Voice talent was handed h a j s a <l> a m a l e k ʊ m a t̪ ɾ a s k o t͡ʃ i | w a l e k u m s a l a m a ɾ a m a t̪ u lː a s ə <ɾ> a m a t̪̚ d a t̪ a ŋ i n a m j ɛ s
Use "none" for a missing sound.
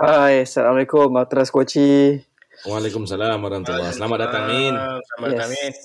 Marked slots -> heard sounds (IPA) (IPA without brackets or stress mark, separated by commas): l, l